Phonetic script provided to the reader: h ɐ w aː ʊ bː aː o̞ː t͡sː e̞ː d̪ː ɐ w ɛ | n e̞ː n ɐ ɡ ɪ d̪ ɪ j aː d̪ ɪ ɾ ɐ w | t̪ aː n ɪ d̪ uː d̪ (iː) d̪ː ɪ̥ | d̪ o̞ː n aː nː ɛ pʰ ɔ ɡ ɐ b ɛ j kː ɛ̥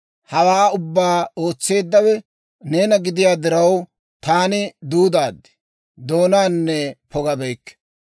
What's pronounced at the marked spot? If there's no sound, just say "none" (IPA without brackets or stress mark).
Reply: aː